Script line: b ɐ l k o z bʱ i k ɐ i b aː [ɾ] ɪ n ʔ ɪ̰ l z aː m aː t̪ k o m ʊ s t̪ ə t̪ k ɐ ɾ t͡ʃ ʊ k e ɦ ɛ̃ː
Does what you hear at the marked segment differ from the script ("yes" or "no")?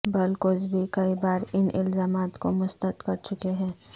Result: no